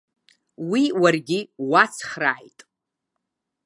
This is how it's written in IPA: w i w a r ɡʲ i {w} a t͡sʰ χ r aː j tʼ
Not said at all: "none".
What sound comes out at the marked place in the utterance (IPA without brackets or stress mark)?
w